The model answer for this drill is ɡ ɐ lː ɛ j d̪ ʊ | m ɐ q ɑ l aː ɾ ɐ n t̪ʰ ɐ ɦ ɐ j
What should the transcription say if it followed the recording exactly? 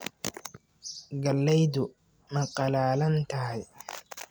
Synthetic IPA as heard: ɡ ɐ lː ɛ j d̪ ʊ | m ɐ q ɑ l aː l ɐ n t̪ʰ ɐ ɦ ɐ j